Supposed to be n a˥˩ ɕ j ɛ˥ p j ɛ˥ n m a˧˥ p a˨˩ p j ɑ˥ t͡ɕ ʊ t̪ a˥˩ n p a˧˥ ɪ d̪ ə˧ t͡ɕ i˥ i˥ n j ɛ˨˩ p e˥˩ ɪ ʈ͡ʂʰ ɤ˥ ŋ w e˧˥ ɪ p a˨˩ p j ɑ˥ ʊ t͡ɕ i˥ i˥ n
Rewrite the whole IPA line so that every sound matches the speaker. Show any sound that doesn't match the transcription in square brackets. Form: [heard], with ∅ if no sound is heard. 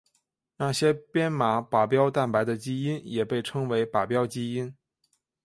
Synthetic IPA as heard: n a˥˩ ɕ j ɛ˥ p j ɛ˥ n m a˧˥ p a˨˩ p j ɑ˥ [∅] ʊ t̪ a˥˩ n p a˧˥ ɪ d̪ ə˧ t͡ɕ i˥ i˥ n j ɛ˨˩ p e˥˩ ɪ ʈ͡ʂʰ ɤ˥ ŋ w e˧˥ ɪ p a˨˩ p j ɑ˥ ʊ t͡ɕ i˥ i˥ n